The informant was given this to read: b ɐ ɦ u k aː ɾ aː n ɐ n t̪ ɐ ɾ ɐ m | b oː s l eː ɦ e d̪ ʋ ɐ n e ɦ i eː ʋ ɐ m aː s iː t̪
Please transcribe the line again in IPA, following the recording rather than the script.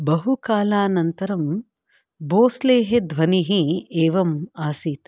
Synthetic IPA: b ɐ ɦ u k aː l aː n ɐ n t̪ ɐ ɾ ɐ m | b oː s l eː ɦ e d̪ ʋ ɐ n i ɦ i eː ʋ ɐ m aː s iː t̪